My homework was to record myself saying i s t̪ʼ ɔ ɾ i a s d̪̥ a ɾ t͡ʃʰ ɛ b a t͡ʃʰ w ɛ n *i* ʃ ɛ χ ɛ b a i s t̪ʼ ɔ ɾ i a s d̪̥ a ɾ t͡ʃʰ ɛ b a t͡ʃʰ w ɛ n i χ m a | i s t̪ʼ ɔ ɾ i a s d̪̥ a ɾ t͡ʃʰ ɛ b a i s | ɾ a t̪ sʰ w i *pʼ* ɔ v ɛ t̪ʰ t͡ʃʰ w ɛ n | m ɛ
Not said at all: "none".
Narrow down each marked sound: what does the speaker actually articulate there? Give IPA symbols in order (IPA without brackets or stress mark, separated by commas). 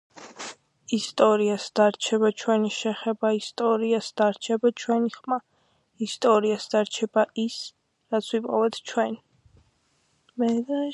i, pʼ